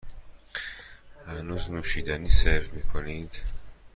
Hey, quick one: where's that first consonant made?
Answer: throat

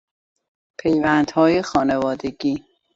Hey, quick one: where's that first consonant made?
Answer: lips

